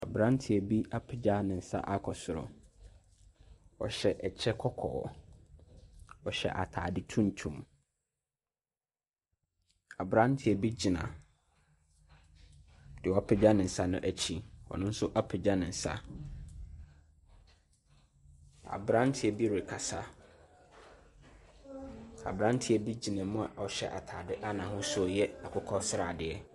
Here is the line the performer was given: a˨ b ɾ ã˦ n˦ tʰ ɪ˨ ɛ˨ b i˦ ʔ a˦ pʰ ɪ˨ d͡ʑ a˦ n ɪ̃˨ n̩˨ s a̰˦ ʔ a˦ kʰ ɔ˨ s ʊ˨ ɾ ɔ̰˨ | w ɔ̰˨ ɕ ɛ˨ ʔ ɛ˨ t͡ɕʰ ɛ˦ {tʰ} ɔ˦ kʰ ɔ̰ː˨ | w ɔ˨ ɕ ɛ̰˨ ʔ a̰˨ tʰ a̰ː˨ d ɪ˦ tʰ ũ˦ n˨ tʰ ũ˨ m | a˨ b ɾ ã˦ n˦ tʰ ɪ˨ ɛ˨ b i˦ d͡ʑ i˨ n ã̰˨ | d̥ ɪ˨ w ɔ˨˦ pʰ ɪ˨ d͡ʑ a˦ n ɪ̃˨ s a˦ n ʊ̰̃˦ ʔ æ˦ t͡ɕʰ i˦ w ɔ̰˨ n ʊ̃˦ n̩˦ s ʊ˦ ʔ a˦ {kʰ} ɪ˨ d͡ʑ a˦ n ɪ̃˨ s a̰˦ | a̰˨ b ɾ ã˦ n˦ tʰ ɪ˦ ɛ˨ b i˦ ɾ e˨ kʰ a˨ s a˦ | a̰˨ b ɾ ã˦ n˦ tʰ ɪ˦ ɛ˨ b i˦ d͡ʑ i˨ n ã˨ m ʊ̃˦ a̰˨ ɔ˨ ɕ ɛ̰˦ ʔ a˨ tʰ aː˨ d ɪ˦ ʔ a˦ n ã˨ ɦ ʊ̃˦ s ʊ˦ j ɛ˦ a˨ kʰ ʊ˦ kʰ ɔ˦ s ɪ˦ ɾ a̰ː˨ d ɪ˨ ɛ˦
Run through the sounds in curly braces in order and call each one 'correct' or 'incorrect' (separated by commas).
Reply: incorrect, incorrect